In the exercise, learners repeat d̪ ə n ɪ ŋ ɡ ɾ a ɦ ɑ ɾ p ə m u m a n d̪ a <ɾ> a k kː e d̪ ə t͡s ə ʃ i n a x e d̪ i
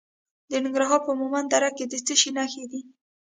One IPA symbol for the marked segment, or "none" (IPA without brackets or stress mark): ɾ